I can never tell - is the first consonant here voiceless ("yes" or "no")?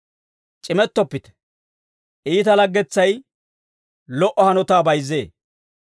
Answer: yes